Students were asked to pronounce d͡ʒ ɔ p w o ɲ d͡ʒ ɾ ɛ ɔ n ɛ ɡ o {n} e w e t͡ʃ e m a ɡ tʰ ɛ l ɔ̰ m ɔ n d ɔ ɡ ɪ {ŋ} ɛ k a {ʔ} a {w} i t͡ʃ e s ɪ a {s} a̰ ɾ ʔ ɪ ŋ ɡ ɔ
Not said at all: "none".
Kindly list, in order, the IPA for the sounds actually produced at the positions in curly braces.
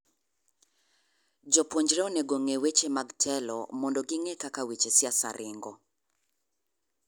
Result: ŋ, ŋ, k, w, s

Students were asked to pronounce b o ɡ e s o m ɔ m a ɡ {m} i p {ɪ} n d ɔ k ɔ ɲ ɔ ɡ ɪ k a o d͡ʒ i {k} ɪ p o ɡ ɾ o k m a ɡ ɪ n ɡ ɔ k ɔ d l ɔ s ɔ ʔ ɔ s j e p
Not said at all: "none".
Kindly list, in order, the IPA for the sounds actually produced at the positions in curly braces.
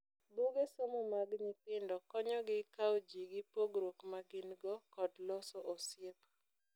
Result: ɲ, ɪ, ɡ

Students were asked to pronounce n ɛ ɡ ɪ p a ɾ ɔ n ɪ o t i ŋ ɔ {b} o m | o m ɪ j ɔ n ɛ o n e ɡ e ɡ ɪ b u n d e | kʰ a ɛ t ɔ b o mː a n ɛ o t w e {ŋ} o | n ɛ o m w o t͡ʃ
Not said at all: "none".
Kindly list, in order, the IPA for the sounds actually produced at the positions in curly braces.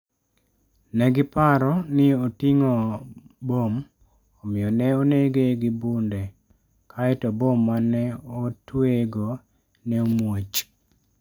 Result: b, ɡ

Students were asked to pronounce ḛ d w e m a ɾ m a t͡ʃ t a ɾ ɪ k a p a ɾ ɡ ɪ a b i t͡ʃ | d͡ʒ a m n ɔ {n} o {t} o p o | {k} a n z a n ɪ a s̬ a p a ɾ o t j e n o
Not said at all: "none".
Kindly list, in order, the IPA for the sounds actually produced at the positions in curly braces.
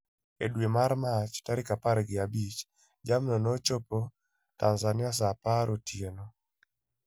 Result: n, t͡ʃ, t

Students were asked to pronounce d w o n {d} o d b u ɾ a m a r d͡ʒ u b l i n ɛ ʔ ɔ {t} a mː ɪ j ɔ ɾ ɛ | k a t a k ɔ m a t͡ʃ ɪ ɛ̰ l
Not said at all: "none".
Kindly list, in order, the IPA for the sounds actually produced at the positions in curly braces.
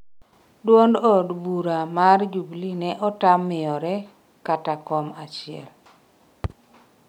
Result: d, t

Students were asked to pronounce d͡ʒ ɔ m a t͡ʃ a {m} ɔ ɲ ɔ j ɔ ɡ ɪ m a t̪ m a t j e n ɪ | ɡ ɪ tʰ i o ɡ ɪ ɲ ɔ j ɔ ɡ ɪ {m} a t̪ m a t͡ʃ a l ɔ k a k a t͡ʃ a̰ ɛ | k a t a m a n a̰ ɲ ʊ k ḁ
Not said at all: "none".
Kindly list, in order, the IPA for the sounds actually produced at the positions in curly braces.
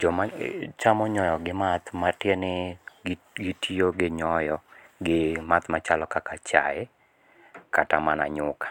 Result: m, m

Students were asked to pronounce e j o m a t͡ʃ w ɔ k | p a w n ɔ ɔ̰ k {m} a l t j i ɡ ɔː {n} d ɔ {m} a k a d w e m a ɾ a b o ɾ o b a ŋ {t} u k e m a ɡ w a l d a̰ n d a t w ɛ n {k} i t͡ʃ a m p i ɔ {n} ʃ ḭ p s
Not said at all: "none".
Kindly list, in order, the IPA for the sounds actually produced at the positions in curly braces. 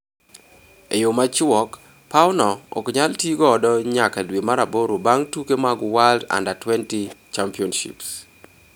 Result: ɲ, none, ɲ, t, t, n

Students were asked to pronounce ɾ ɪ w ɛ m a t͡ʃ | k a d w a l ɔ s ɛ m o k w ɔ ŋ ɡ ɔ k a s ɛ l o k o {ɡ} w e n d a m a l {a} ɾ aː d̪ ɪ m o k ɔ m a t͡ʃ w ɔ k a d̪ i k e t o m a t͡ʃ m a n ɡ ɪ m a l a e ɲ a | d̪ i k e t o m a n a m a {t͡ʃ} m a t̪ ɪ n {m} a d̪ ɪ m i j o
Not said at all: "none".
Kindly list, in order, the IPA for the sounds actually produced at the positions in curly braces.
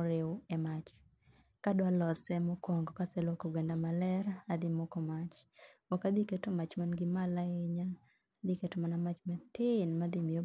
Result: ɡ, ɛ, t͡ʃ, m

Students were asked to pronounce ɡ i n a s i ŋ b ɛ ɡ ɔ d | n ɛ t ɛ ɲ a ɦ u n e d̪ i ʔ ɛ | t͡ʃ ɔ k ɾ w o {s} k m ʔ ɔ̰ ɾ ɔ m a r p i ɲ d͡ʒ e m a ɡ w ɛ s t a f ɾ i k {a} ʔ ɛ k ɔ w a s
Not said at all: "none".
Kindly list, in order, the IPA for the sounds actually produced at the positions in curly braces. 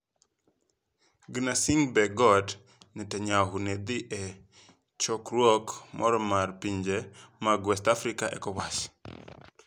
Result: none, a

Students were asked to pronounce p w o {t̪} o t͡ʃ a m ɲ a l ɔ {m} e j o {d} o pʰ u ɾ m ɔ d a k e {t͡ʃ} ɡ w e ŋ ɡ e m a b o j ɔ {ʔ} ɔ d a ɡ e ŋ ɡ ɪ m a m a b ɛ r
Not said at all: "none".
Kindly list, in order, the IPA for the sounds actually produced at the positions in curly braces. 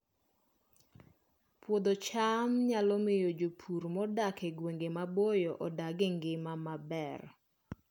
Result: d̪, m, d͡ʒ, none, ʔ

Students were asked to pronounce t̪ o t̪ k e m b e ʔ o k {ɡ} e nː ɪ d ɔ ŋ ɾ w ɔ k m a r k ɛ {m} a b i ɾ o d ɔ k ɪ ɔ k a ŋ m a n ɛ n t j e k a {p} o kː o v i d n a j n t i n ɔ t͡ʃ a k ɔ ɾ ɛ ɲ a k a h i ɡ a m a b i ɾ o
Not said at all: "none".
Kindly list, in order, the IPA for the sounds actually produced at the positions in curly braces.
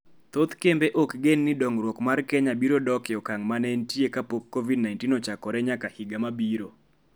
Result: ɡ, ɲ, p

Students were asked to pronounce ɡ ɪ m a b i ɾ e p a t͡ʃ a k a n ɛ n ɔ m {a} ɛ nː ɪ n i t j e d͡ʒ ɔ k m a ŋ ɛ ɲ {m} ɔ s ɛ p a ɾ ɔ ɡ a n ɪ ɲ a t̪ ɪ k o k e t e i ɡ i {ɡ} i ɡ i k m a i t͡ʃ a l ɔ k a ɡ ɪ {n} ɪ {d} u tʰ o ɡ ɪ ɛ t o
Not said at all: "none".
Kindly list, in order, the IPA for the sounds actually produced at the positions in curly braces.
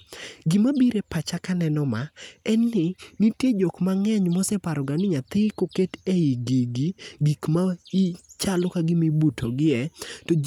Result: a, m, ɡ, m, b

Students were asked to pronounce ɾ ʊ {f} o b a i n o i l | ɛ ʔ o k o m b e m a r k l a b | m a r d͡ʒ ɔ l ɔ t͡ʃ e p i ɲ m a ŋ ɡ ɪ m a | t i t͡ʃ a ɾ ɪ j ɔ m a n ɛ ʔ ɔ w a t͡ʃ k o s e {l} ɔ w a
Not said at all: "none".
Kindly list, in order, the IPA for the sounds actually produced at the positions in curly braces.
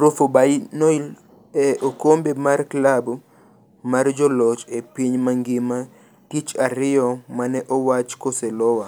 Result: f, l

